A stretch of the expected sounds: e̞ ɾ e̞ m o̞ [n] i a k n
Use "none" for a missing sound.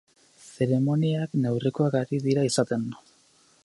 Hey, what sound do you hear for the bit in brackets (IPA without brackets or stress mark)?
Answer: n